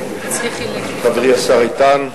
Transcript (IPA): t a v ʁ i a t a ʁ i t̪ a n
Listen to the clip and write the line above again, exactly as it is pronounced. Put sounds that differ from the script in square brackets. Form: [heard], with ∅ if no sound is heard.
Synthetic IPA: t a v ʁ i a [s] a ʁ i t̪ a n